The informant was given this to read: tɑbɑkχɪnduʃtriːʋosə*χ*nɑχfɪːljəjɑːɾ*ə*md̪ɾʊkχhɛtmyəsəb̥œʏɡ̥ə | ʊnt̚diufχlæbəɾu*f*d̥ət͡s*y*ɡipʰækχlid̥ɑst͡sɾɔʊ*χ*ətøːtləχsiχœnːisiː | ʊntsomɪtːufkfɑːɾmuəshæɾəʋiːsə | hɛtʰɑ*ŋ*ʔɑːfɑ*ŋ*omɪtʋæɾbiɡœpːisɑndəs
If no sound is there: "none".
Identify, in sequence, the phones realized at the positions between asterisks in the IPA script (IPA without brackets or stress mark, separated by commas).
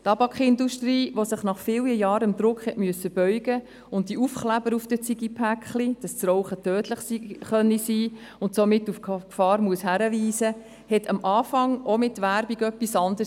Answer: χ, ə, f, i, χ, m, ŋ